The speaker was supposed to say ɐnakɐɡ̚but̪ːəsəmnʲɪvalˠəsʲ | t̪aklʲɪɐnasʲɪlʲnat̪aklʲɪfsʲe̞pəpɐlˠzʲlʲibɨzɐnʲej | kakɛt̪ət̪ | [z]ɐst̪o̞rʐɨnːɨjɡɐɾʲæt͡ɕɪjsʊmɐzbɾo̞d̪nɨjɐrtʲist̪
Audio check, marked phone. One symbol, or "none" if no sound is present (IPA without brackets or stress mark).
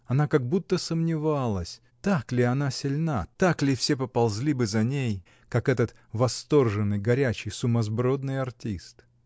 v